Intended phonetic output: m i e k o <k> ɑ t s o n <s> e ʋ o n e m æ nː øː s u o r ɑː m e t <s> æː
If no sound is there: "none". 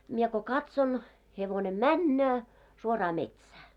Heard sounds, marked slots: k, h, s

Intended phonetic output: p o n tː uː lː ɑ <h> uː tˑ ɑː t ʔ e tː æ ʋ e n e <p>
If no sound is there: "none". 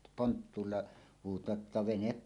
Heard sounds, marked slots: h, p

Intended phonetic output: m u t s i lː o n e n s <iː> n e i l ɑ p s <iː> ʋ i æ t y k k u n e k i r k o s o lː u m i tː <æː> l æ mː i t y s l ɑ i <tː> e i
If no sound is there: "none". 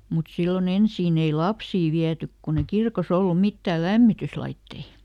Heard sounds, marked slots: iː, iː, æː, tː

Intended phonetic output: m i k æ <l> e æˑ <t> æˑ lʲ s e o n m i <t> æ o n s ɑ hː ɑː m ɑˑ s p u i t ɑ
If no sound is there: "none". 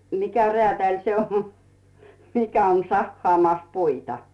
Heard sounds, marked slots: r, t, k

